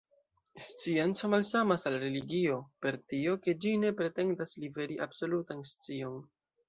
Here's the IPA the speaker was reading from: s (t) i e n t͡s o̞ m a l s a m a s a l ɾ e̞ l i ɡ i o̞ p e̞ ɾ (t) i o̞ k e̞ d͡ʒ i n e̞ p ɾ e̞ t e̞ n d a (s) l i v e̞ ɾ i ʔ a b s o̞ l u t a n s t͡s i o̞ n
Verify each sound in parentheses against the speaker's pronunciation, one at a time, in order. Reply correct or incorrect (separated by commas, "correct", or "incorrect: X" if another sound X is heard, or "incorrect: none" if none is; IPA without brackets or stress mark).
incorrect: t͡s, correct, correct